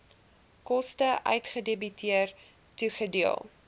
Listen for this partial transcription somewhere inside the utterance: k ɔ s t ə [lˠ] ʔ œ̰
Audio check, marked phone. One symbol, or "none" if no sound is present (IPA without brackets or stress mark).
none